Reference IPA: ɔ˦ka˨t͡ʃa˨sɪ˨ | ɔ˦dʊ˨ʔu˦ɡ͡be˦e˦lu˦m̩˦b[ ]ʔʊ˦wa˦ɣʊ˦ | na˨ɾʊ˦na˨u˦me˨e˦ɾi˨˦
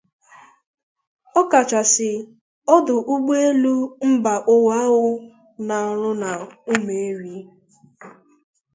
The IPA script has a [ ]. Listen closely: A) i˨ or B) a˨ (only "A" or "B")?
B